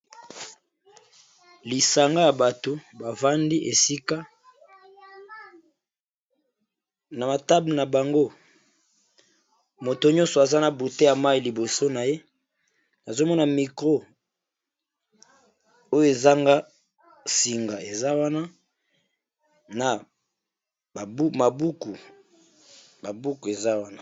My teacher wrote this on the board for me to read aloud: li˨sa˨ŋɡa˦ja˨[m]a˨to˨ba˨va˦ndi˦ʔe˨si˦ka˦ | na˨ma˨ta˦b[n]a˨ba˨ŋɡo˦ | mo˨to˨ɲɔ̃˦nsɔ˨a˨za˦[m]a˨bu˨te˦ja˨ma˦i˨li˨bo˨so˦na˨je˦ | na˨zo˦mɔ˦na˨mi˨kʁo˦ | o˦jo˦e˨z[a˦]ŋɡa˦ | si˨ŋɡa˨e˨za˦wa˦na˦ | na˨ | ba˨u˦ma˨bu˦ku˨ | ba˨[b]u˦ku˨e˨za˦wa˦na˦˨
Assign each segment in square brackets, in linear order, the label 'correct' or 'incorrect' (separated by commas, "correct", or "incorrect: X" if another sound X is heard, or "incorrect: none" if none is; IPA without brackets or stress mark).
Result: incorrect: b, correct, incorrect: n, correct, correct